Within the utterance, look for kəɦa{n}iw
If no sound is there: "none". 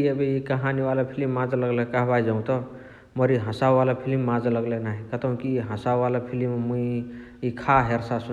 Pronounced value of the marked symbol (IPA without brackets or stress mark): n